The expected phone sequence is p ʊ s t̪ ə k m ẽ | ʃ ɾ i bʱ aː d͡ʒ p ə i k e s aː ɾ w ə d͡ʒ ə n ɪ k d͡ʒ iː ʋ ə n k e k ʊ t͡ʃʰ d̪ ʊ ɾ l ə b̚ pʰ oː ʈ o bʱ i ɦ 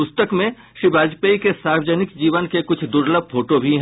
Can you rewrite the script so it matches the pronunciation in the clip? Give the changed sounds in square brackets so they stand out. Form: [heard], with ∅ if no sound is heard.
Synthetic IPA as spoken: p ʊ s t̪ ə k m ẽ | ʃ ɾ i bʱ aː d͡ʒ p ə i k e s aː ɾ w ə d͡ʒ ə n ɪ k d͡ʒ iː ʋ ə n k e k ʊ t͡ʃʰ d̪ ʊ ɾ l ə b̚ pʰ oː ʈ o bʱ i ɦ